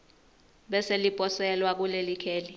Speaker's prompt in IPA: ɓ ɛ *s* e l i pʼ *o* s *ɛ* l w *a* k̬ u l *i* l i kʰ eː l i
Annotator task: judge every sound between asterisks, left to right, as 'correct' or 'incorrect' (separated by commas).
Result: correct, incorrect, correct, correct, incorrect